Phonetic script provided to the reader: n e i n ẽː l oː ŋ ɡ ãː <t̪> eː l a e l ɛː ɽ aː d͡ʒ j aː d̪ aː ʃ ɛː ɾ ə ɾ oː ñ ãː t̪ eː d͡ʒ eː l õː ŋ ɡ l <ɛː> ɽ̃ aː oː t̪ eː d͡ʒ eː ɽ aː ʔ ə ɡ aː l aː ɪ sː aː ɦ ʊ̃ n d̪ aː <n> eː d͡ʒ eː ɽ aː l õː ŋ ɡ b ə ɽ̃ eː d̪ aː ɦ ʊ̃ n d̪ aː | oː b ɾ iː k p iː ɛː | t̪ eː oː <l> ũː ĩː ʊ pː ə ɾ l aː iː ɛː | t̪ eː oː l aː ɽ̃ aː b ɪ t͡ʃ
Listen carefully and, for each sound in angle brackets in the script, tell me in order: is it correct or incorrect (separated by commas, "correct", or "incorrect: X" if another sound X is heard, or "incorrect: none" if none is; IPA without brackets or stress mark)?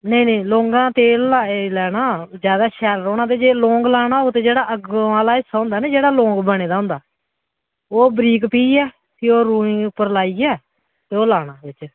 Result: correct, incorrect: aː, correct, incorrect: ɾ